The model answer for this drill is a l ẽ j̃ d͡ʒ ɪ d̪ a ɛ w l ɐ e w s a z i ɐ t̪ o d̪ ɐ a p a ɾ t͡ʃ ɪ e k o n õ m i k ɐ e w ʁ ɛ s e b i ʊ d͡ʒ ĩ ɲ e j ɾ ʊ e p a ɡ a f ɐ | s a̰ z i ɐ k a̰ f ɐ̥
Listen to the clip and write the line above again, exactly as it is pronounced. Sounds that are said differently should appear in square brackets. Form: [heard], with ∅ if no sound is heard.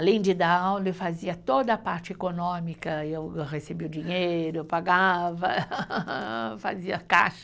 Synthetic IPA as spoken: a l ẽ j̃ d͡ʒ ɪ d̪ a [a] w l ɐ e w [f] a z i ɐ t̪ o d̪ ɐ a p a ɾ t͡ʃ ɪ e k o n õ m i k ɐ e w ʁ [e] s e b i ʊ d͡ʒ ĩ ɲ e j ɾ ʊ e p a ɡ a [v] ɐ | [f] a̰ z i ɐ k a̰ [ʃ] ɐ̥